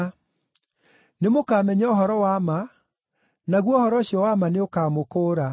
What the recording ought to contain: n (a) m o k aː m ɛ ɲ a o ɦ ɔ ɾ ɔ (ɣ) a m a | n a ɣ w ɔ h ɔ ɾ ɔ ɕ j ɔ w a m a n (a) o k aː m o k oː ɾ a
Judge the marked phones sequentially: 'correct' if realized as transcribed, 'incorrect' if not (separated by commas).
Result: incorrect, incorrect, incorrect